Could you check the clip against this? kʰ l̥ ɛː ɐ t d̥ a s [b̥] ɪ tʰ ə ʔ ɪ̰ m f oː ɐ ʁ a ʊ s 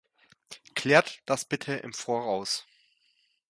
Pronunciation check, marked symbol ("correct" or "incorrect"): correct